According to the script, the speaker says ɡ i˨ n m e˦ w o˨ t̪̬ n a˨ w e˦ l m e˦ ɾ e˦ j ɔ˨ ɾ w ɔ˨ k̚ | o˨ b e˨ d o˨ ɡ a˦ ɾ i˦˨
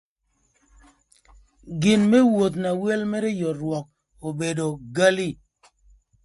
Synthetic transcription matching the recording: ɡ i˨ n m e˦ w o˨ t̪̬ n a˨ w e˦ l m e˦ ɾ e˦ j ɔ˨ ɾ w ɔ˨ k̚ | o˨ b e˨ d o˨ ɡ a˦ l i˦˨